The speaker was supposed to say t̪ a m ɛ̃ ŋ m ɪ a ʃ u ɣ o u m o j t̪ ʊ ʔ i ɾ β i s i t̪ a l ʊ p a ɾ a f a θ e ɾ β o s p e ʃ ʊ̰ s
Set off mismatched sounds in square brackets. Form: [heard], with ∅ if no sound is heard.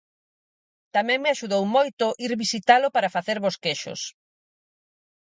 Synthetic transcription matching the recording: t̪ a m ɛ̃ ŋ m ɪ a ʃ u [ð] o [w] m o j t̪ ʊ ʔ i ɾ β i s i t̪ a l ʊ p a ɾ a f a θ e ɾ β o s [k] e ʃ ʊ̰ s

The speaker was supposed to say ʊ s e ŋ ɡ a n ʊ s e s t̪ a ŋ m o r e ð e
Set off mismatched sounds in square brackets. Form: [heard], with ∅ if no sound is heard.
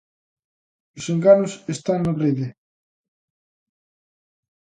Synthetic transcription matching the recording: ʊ s e ŋ ɡ a n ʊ s e s t̪ a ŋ [n] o r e ð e

